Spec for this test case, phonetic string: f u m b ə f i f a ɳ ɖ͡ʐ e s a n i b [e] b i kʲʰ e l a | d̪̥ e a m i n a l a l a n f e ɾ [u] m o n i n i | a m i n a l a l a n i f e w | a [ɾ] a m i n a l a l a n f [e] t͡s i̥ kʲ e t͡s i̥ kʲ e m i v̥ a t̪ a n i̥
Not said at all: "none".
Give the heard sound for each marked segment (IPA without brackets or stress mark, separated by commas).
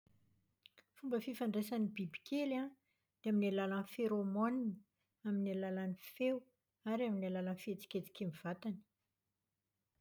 i, o, ɾ, e